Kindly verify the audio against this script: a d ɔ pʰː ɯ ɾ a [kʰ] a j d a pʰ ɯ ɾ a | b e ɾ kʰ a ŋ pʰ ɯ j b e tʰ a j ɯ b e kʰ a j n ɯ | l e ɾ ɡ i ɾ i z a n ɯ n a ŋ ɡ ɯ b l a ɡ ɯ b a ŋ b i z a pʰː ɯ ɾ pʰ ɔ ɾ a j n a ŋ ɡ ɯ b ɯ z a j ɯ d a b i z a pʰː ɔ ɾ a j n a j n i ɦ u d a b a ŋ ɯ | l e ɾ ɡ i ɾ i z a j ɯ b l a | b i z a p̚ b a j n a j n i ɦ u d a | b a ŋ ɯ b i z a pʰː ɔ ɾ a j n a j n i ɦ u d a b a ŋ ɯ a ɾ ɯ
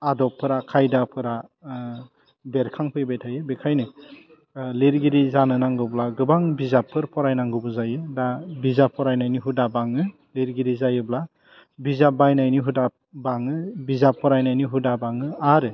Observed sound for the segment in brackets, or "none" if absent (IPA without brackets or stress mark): kʰ